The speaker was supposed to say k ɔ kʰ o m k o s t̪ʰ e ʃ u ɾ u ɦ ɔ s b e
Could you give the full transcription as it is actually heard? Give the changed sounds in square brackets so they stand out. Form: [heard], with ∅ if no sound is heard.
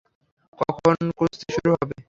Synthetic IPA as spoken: k ɔ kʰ o [n] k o s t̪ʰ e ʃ u ɾ u ɦ ɔ [∅] b e